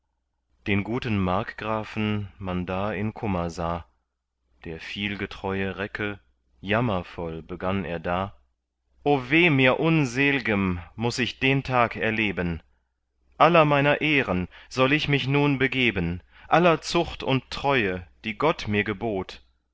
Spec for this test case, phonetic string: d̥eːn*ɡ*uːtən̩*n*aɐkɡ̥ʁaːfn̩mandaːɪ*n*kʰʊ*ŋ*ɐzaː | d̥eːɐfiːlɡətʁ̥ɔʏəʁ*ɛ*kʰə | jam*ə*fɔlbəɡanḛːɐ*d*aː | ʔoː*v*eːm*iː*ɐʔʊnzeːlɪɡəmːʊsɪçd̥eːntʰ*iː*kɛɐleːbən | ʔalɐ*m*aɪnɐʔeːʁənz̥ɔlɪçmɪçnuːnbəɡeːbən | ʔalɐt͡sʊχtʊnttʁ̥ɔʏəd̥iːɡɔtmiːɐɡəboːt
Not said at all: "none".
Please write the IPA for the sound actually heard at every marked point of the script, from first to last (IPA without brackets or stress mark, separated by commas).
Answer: ɡ, m, n, m, ɛ, ɐ, d, v, iː, aː, m